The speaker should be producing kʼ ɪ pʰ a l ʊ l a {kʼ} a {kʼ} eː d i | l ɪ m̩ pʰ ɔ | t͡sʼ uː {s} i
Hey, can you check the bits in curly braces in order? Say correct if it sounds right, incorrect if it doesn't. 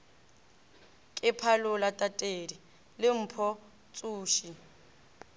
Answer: incorrect: tʼ, incorrect: tʼ, incorrect: ʃ

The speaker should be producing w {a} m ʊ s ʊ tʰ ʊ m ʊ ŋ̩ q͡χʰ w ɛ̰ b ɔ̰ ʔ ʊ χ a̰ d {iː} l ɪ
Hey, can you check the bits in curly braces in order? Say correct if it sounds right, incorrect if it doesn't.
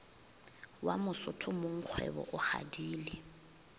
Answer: correct, correct

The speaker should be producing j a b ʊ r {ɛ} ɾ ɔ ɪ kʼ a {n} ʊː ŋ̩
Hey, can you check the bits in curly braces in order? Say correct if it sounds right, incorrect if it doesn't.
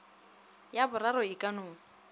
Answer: incorrect: a, correct

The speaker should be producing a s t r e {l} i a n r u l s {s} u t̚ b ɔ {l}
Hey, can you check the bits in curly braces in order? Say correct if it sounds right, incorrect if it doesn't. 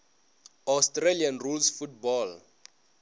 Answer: correct, incorrect: f, correct

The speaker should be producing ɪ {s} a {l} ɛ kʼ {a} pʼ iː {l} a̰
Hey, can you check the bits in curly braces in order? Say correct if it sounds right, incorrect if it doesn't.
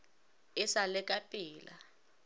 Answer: correct, correct, correct, correct

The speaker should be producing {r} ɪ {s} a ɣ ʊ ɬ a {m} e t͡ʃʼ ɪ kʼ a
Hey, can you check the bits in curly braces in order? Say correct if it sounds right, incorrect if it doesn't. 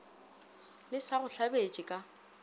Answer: incorrect: l, correct, incorrect: b

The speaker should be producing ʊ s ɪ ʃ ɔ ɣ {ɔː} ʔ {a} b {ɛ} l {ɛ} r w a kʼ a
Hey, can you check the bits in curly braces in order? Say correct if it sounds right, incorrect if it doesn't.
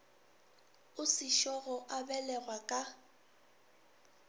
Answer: incorrect: ɔ, correct, correct, correct

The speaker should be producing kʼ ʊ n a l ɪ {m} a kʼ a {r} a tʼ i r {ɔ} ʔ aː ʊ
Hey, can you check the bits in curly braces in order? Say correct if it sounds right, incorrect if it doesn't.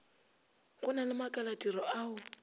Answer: correct, incorrect: l, correct

